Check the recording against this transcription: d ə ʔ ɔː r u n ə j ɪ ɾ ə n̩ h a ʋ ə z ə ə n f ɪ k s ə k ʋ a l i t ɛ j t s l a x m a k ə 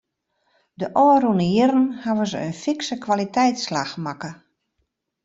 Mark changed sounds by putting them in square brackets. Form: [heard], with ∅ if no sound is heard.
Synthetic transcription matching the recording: d ə ʔ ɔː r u n ə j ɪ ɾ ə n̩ h a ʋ ə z ə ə n f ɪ k s ə k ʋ a l i t ɛ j t s l a x m a k ə